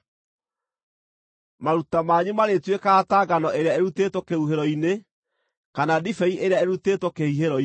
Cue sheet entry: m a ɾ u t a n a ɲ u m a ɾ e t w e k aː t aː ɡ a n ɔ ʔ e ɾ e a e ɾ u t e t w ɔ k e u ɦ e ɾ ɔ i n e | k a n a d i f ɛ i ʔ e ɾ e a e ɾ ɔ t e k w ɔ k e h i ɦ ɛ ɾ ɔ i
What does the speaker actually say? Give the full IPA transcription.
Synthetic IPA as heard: m a ɾ u t a m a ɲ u m a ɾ e t w e k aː t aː ɡ a n ɔ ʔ e ɾ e a e ɾ u t e t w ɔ k e u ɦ e ɾ ɔ i n e | k a n a d i f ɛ i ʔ e ɾ e a e ɾ u t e t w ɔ k e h i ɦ e ɾ ɔ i